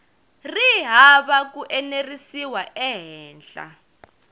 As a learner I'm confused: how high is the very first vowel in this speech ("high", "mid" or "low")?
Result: high